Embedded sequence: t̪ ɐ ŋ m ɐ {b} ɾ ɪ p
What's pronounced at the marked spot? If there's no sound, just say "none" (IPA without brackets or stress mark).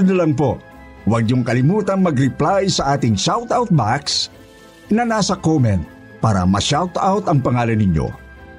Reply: ɡ